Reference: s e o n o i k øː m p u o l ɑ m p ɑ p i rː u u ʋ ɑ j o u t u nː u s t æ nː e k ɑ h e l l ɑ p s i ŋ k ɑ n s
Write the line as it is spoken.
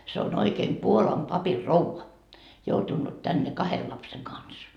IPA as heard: s e o n o i k eː m p u o l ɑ m p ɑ p i rː o u ʋ ɑ j o u t u nː u t t æ nː e k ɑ h e l l ɑ p s e ŋ k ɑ n s